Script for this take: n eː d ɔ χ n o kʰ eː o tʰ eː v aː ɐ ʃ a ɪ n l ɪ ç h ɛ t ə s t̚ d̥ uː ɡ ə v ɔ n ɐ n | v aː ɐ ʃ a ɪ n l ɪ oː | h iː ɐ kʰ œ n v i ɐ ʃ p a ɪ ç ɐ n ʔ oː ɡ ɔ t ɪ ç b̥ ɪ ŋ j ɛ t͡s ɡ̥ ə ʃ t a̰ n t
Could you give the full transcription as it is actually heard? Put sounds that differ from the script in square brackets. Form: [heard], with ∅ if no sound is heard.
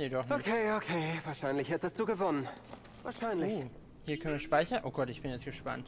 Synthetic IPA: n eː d ɔ χ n o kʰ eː o [kʰ] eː v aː ɐ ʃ a ɪ n l ɪ ç h ɛ t ə s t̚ d̥ uː ɡ ə v ɔ n [ə] n | v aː ɐ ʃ a ɪ n l ɪ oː | h iː ɐ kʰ œ n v i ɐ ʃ p a ɪ ç ɐ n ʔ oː ɡ ɔ t ɪ ç b̥ ɪ [n] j ɛ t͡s ɡ̥ ə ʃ [p] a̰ n t